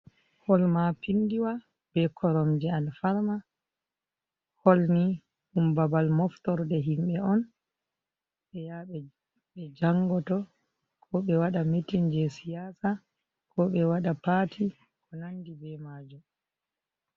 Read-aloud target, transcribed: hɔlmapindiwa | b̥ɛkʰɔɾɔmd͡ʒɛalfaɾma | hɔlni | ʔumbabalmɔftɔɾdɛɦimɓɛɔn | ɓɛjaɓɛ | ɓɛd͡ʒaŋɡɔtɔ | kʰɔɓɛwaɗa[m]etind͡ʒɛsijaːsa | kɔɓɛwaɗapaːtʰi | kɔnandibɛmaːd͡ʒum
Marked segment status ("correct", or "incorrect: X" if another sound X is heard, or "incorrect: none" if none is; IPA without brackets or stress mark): correct